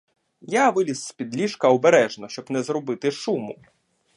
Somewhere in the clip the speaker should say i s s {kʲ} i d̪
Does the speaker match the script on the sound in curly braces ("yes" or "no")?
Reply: no